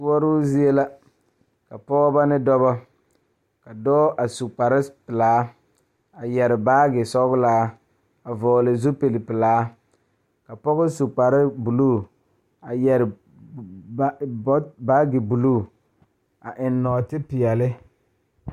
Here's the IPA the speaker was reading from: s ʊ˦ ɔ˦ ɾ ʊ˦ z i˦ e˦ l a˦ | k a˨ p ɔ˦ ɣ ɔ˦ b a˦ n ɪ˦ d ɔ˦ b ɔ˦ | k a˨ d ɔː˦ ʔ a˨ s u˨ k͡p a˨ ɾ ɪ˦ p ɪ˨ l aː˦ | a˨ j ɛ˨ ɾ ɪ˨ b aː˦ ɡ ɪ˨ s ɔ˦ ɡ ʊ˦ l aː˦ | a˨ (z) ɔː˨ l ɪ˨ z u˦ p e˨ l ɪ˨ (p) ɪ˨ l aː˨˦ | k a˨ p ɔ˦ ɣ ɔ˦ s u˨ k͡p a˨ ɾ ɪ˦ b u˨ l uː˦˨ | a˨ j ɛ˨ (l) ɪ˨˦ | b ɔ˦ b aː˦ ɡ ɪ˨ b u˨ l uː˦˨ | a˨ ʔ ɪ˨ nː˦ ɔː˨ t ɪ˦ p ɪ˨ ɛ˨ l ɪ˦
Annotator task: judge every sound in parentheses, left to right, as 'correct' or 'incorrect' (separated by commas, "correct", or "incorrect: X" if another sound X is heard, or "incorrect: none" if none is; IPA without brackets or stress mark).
incorrect: v, correct, incorrect: ɾ